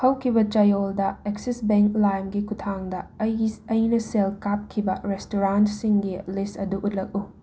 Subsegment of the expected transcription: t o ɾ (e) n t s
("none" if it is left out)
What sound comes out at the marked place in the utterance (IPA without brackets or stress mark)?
a